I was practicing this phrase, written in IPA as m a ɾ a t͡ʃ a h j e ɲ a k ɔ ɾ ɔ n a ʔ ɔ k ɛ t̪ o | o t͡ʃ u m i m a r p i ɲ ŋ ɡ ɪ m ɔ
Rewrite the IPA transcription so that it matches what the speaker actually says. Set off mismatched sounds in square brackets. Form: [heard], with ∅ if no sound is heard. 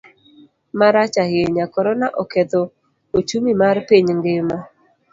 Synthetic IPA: m a ɾ a t͡ʃ a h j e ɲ a k ɔ ɾ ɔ n a ʔ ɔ k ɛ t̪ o | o t͡ʃ u m i m a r p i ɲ ŋ ɡ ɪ m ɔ